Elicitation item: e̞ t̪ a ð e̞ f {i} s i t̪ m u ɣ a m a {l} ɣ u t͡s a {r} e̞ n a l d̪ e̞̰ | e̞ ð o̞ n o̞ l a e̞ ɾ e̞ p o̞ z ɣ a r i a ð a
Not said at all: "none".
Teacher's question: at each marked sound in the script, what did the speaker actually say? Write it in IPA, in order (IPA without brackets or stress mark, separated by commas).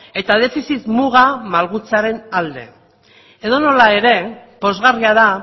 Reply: i, l, ɾ